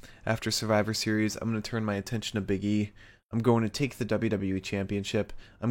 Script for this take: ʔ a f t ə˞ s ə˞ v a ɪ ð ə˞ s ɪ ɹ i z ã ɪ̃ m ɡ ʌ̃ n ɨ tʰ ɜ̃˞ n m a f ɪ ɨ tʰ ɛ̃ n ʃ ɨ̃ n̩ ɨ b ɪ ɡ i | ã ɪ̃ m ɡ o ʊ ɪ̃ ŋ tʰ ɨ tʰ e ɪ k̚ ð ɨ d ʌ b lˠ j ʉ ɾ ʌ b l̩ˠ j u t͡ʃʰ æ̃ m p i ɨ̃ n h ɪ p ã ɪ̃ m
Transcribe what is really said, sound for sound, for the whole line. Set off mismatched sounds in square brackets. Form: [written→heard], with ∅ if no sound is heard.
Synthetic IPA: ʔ [a→æ] f t ə˞ s ə˞ v a ɪ [ð→v] ə˞ s ɪ ɹ i z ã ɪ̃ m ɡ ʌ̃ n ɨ tʰ ɜ̃˞ n m a [f→∅] ɪ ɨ tʰ ɛ̃ n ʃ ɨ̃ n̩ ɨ b ɪ ɡ i | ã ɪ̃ m ɡ o ʊ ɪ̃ ŋ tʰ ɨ tʰ e ɪ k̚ ð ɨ d ʌ b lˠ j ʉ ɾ ʌ b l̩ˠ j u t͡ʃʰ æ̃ m p i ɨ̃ n [h→ʃ] ɪ p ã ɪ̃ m